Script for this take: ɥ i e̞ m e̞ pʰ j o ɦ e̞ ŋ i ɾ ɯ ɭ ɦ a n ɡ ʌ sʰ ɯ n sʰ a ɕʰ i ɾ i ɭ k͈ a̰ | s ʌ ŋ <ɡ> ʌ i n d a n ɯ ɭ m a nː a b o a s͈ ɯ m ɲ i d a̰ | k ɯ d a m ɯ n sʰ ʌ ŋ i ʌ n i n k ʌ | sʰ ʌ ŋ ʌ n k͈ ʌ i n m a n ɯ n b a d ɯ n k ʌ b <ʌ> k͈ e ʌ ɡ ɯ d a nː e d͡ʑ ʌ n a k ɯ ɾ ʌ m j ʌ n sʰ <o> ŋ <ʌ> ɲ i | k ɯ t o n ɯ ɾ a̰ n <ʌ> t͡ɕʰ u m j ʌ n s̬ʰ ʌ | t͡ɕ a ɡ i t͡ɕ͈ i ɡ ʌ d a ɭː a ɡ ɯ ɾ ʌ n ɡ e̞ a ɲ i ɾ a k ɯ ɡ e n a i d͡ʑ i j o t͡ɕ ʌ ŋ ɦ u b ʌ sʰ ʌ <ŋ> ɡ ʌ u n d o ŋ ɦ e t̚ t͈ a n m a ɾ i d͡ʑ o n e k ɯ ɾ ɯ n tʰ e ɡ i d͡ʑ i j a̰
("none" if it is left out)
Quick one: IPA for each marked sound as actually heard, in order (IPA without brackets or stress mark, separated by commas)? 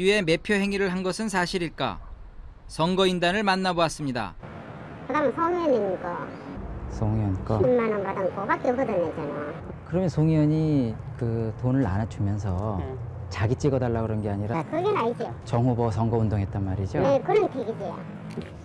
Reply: ɡ, a, o, ʌ, a, ŋ